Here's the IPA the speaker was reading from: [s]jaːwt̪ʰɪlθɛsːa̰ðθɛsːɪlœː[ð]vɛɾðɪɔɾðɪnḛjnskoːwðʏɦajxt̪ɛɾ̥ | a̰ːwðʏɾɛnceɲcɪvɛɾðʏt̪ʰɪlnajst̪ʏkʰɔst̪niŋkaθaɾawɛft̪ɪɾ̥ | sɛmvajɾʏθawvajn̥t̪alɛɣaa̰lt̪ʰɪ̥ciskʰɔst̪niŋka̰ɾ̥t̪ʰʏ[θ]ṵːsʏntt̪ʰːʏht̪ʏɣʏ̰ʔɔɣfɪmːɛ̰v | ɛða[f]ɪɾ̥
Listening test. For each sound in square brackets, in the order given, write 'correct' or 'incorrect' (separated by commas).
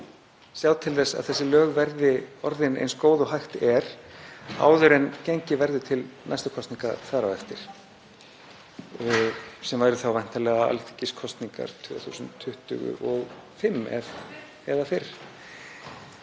correct, incorrect, correct, correct